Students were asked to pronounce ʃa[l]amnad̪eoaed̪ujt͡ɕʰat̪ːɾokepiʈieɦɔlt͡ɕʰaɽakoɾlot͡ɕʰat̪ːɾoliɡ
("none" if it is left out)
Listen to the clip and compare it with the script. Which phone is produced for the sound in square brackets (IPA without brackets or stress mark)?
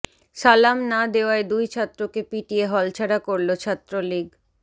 l